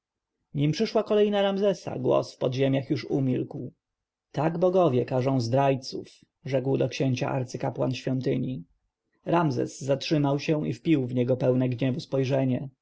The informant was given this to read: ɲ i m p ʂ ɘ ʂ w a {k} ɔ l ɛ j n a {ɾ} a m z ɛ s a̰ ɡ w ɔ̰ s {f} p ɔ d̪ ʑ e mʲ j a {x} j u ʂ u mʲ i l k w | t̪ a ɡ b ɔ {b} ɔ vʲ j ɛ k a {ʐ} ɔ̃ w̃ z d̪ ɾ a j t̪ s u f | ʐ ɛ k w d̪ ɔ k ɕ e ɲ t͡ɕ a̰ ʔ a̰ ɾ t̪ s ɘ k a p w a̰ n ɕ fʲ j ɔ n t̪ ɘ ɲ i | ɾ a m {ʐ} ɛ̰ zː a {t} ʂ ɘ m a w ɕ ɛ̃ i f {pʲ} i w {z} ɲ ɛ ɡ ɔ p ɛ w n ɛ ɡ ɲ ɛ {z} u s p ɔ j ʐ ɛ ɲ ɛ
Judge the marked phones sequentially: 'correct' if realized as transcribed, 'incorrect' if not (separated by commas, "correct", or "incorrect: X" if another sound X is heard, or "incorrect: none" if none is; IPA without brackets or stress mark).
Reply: correct, correct, correct, correct, incorrect: ɡ, correct, incorrect: z, correct, correct, incorrect: v, incorrect: v